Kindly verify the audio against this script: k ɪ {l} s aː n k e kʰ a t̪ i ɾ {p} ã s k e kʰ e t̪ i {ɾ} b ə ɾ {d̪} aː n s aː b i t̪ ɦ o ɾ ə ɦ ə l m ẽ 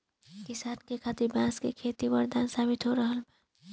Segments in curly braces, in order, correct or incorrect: incorrect: none, incorrect: b, incorrect: none, correct

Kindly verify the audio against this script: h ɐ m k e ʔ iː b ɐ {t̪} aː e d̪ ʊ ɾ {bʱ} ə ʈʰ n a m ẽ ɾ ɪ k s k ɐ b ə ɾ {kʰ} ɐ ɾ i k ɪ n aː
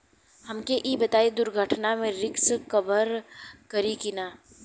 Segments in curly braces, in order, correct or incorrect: correct, incorrect: ɡʱ, incorrect: k

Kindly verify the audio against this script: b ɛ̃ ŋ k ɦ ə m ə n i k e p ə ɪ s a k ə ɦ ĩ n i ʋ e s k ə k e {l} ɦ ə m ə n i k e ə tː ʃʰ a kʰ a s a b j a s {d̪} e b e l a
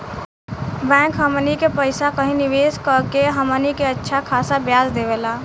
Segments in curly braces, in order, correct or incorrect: incorrect: none, correct

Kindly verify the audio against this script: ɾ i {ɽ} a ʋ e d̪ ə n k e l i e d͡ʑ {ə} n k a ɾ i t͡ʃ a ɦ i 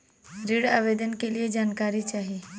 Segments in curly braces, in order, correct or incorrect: correct, incorrect: a

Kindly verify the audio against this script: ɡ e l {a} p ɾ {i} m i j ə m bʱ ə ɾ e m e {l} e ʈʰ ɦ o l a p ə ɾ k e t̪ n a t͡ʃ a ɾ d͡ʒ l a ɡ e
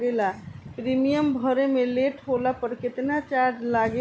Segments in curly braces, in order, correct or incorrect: correct, correct, correct

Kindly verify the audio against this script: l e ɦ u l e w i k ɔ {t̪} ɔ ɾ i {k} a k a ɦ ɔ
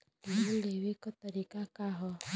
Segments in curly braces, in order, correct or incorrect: correct, correct

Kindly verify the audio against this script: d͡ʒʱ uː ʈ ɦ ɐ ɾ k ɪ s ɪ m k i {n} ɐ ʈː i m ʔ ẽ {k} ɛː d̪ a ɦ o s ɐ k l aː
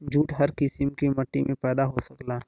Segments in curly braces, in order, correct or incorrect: incorrect: m, incorrect: p

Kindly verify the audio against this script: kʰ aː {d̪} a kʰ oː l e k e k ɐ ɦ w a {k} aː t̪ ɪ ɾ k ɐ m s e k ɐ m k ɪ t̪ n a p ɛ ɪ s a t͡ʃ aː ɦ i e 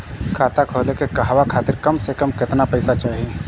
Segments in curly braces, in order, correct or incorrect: incorrect: t̪, incorrect: kʰ

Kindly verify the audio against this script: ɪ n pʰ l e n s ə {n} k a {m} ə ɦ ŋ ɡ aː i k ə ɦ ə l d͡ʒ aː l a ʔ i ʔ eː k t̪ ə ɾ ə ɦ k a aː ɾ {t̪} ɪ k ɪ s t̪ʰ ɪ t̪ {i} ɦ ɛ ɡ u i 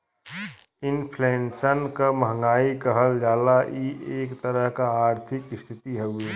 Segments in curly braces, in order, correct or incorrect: correct, correct, incorrect: t̪ʰ, correct

